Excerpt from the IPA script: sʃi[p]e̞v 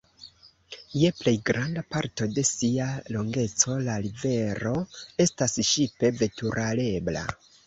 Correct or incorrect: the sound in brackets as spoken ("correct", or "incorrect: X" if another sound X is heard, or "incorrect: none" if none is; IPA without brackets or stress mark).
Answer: correct